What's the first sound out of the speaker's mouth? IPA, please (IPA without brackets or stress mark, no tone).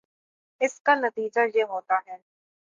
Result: ɪ